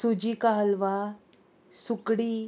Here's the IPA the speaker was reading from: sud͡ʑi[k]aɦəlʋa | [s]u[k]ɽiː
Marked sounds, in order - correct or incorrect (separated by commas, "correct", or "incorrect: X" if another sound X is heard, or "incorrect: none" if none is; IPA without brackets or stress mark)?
correct, correct, correct